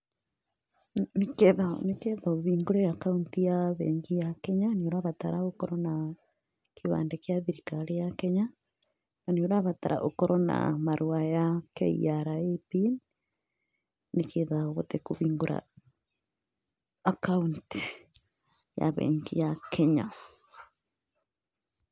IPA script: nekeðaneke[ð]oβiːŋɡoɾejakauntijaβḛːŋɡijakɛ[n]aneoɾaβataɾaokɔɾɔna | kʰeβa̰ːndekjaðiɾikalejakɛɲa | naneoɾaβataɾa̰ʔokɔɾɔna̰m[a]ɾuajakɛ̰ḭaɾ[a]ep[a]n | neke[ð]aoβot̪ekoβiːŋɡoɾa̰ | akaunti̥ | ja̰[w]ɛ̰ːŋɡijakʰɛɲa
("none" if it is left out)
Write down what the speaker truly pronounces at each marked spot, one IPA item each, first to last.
ð, ɲ, a, a, i, ð, β

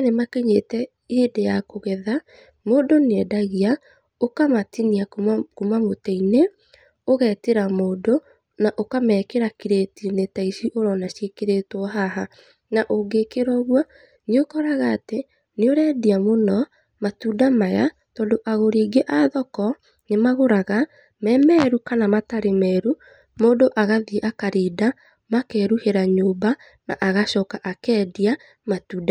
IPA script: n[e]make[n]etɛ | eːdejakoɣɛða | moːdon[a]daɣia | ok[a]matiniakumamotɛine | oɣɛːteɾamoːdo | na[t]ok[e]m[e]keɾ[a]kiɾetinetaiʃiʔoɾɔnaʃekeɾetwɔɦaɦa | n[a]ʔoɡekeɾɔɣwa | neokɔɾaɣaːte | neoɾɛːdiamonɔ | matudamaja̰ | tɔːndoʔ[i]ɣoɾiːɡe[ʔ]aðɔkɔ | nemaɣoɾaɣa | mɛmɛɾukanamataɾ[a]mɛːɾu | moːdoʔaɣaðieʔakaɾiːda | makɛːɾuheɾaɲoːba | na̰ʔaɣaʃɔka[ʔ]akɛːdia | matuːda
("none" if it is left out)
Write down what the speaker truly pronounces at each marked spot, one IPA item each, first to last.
e, ɲ, ɛ, a, ʔ, a, ɛ, a, a, a, ʔ, e, ʔ

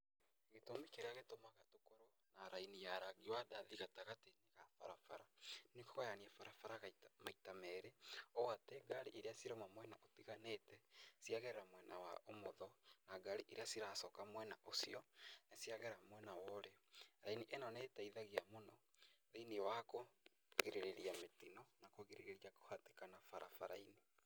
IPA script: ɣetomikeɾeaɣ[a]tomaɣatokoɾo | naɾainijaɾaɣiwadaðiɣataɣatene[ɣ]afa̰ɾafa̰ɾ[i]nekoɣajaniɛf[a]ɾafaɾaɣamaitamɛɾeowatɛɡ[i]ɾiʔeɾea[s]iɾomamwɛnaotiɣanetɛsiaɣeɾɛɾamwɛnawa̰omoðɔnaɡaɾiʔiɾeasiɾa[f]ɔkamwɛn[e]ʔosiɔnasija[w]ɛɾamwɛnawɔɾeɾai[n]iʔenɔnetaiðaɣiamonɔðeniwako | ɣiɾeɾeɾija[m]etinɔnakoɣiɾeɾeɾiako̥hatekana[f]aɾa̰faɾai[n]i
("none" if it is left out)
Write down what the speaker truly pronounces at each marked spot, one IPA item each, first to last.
e, ɣ, a, a, a, s, s, a, ɣ, n, m, f, n

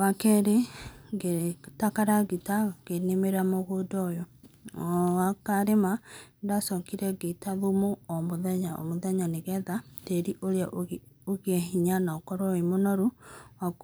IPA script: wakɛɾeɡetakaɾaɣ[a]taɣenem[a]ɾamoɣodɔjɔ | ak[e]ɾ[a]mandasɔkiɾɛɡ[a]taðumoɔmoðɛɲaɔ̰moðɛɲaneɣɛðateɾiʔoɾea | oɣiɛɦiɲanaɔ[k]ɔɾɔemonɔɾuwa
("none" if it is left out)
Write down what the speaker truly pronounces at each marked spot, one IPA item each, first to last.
i, e, a, e, e, k

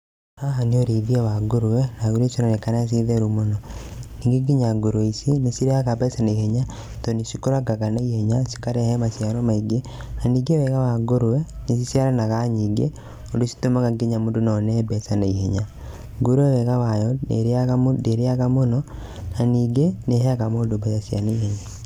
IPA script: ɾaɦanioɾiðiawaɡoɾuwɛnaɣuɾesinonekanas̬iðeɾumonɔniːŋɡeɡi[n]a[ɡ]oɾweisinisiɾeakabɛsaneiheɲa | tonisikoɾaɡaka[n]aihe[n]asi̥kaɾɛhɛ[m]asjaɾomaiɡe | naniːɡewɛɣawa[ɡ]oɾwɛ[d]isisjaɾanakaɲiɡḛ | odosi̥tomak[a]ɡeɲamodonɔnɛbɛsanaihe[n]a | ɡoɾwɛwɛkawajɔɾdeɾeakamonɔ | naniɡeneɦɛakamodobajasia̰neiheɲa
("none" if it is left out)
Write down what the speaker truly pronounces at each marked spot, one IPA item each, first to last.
ɲ, ɡ, n, ɲ, m, ɡ, n, a, ɲ

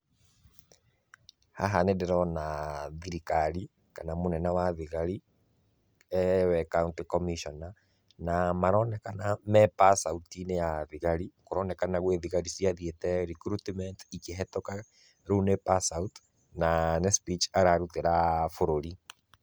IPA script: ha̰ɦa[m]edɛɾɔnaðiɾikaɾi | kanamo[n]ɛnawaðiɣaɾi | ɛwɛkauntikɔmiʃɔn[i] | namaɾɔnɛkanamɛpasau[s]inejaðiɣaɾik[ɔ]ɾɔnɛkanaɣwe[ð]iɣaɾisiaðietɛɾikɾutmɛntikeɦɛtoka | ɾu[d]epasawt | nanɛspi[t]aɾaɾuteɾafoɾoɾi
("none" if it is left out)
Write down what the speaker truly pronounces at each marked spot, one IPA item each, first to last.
n, n, a, t, o, ð, n, t͡ʃ

